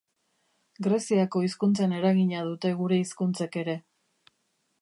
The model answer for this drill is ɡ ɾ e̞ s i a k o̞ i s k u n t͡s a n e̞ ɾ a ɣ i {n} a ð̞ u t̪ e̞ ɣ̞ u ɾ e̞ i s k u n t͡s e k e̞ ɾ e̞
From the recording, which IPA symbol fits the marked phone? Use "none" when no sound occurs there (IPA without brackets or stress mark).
ɲ